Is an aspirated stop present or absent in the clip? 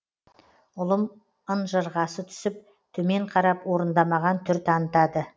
present